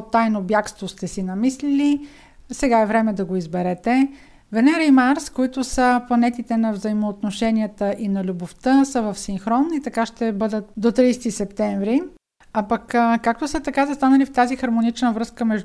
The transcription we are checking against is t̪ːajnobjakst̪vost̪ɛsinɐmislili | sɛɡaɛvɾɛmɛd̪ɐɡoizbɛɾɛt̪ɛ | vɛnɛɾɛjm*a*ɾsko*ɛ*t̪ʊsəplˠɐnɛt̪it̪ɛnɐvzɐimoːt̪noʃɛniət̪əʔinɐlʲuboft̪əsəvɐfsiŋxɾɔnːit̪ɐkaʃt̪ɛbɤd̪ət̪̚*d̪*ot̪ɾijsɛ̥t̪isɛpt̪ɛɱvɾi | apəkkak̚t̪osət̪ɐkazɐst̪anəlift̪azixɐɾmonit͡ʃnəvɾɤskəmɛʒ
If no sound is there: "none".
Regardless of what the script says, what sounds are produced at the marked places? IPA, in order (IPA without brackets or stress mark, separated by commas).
a, i, d̪